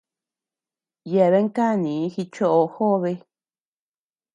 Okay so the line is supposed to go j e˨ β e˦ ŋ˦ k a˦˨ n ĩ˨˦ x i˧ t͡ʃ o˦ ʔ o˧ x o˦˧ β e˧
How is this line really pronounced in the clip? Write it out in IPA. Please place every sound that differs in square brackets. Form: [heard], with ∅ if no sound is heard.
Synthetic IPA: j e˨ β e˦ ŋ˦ k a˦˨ n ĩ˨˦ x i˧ t͡ʃ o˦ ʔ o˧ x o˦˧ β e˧